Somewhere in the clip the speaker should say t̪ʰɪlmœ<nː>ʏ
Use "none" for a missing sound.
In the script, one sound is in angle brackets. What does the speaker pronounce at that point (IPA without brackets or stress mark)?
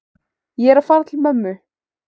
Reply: mː